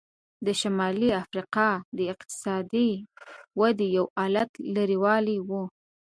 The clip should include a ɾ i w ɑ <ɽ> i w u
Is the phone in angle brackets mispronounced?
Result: yes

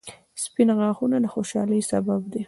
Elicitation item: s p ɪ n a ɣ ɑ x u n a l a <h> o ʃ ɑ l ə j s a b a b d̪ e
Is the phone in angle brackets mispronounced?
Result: yes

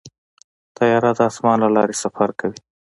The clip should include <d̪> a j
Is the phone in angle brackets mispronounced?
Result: yes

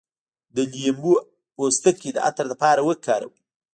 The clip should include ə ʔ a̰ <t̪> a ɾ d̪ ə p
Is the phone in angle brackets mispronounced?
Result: no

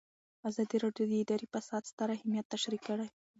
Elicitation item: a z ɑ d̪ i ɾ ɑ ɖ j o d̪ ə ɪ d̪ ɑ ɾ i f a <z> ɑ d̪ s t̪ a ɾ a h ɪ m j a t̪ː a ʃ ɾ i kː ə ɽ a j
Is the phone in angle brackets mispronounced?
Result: yes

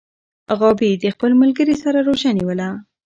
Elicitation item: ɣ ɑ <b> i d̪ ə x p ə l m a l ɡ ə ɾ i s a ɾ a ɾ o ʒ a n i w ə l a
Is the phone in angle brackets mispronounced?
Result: no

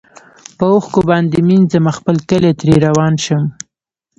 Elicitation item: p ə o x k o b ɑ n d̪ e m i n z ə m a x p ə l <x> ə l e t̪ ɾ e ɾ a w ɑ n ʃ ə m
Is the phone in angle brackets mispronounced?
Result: yes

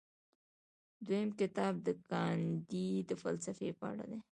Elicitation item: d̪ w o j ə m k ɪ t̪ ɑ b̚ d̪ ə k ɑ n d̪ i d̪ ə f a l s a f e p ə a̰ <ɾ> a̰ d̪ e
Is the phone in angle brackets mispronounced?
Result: yes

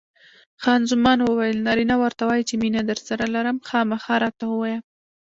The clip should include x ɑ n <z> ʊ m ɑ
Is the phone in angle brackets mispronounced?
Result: no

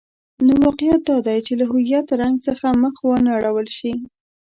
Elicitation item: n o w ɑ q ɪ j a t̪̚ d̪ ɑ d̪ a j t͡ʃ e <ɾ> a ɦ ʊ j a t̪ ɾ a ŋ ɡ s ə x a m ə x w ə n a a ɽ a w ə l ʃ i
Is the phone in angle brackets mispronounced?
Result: yes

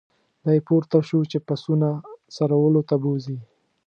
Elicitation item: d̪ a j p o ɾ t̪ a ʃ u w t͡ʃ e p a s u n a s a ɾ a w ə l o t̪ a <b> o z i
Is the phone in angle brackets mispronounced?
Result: no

